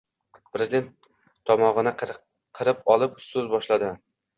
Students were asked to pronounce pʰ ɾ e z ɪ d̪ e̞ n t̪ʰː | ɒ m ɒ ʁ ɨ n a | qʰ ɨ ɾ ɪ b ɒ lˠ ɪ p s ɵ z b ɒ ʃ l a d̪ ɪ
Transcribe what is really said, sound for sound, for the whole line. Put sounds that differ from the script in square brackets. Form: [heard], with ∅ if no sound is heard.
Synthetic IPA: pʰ ɾ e z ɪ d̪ e̞ n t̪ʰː | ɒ m ɒ ʁ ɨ n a | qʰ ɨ ɾ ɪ [p] ɒ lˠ ɪ p s ɵ z b ɒ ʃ l a d̪ ɪ